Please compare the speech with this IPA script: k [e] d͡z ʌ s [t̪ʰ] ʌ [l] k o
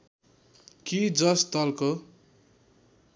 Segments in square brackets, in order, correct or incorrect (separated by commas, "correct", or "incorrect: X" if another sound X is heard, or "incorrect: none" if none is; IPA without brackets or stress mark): incorrect: i, incorrect: t̪, correct